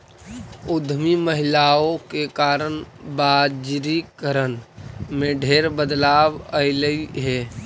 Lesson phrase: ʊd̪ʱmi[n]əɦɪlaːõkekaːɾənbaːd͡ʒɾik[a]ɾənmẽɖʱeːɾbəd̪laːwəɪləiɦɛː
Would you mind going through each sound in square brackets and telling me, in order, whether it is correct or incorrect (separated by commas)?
incorrect, incorrect